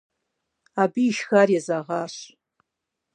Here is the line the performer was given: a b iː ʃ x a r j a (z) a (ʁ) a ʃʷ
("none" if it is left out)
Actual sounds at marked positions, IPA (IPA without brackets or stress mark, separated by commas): z, ʁ